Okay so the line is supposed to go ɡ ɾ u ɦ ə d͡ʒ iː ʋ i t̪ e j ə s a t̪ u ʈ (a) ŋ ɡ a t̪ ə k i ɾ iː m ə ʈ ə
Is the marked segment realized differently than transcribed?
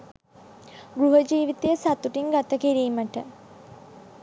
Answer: yes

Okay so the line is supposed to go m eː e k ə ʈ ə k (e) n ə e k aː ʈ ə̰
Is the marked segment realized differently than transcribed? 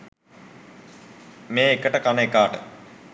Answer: yes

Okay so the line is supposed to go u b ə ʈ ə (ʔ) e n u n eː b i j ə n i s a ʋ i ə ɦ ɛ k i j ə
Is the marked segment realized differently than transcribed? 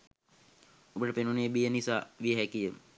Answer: yes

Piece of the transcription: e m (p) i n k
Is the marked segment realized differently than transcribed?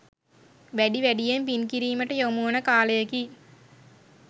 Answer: no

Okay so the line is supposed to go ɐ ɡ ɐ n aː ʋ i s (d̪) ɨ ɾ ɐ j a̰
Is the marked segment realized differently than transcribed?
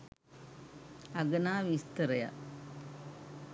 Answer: yes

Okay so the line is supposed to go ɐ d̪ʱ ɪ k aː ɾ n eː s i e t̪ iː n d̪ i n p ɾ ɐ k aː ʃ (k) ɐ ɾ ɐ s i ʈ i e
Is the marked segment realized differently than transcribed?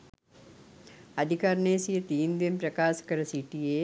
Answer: no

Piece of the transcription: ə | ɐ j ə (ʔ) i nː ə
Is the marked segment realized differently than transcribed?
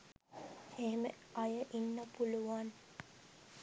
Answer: no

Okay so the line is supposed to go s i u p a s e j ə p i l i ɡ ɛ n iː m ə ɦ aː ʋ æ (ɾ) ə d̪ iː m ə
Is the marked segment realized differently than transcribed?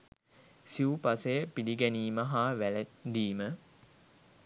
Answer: yes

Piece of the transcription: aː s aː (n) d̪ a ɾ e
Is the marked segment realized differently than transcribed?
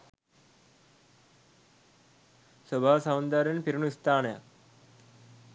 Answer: no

